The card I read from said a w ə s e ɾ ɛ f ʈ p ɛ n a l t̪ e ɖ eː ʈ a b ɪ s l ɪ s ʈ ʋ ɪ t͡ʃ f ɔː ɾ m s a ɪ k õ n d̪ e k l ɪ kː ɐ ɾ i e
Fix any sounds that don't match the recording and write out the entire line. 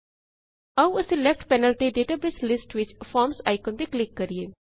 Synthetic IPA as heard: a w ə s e l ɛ f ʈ p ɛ n ə l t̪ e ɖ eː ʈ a b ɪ s l ɪ s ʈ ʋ ɪ t͡ʃ f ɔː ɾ m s a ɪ k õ n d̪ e k l ɪ kː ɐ ɾ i e